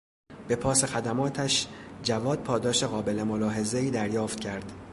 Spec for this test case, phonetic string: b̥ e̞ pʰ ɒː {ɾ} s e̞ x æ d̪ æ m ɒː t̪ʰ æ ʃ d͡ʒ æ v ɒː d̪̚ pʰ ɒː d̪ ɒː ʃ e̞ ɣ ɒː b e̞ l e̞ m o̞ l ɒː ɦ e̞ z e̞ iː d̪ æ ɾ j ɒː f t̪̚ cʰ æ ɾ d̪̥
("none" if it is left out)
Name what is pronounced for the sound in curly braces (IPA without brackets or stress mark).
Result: none